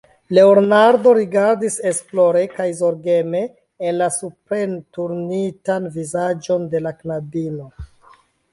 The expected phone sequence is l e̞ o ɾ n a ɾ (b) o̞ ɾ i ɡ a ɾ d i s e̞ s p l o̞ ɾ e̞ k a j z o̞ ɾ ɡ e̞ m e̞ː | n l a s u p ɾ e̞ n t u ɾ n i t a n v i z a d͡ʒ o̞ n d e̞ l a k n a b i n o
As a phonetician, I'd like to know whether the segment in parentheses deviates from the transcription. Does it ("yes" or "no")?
yes